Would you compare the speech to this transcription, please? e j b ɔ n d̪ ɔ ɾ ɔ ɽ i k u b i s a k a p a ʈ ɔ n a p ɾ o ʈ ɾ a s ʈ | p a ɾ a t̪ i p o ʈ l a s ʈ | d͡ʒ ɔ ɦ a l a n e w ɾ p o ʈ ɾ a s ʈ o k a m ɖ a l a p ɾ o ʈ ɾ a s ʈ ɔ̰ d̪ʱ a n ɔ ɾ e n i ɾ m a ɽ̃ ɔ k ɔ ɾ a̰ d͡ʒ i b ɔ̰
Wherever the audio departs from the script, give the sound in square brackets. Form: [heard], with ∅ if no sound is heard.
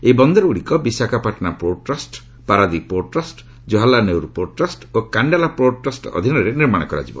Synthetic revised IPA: e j b ɔ n d̪ ɔ ɾ [u] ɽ i k [ɔ] b i s a k a p a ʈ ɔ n a p ɾ o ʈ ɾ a s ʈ | p a ɾ a [d̪] i p o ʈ [ɾ] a s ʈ | d͡ʒ ɔ ɦ a l a n e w ɾ p o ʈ ɾ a s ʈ o k a [ɳ] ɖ a l a p ɾ o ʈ ɾ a s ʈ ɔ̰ d̪ʱ [i] n ɔ ɾ e n i ɾ m a ɽ̃ ɔ k ɔ ɾ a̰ d͡ʒ i b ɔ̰